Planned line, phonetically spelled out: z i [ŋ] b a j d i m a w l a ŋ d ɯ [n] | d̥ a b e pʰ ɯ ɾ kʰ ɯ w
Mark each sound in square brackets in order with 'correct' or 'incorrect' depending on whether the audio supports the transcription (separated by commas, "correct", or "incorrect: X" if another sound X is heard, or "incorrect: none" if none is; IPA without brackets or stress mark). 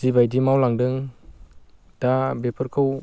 incorrect: none, incorrect: ŋ